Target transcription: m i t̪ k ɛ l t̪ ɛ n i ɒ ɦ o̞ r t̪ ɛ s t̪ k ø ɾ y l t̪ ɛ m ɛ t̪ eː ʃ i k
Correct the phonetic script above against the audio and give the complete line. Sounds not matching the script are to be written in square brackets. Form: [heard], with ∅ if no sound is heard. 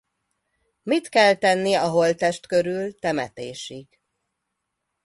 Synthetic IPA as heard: m i t̪ k ɛ l t̪ ɛ [nː] i ɒ ɦ o̞ [l] t̪ ɛ [ʃ] t̪ k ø ɾ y l t̪ ɛ m ɛ t̪ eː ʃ i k